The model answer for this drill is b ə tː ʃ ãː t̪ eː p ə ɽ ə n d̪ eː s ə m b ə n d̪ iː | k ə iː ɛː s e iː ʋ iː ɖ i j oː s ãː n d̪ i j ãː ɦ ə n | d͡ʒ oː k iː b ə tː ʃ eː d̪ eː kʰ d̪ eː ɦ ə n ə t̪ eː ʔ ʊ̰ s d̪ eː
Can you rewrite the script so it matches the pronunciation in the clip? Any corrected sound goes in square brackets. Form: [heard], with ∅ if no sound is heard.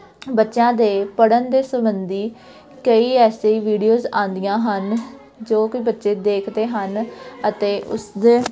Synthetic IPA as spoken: b ə tː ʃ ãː [d̪] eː p ə ɽ ə n d̪ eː s ə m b ə n d̪ iː | k ə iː ɛː s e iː ʋ iː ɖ i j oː [z] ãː n d̪ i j ãː ɦ ə n | d͡ʒ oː k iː b ə tː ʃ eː d̪ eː kʰ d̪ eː ɦ ə n ə t̪ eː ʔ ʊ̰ s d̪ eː